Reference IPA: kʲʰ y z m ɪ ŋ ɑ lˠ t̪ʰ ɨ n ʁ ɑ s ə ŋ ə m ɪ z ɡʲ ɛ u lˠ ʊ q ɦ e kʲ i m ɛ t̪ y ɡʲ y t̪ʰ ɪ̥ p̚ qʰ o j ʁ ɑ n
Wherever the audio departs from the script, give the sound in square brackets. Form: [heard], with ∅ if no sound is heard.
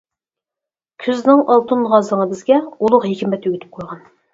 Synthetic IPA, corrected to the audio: kʲʰ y z [n] ɪ ŋ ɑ lˠ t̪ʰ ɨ n ʁ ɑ [z] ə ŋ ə [b] ɪ z ɡʲ ɛ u lˠ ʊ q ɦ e kʲ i m ɛ t̪ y ɡʲ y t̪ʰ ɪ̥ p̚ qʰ o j ʁ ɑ n